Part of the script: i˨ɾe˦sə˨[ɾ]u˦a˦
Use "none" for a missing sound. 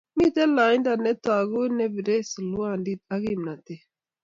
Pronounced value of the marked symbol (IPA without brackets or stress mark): l